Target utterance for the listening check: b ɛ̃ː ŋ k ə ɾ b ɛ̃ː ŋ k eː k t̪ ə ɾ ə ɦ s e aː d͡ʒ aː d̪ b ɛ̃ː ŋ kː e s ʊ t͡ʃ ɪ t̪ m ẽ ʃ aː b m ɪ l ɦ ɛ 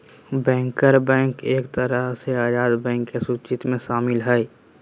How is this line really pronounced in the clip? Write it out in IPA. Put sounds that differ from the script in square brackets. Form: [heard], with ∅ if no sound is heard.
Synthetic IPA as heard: b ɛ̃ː ŋ k ə ɾ b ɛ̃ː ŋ k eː k t̪ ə ɾ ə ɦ s e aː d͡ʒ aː d̪ b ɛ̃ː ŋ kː e s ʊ t͡ʃ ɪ t̪ m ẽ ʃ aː [∅] m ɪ l ɦ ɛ